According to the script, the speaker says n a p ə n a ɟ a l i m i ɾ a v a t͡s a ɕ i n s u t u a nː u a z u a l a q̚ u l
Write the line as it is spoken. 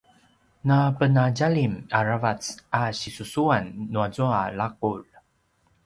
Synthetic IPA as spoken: n a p ə n a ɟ a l i m a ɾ a v a t͡s a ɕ i s u s u a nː u a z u a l a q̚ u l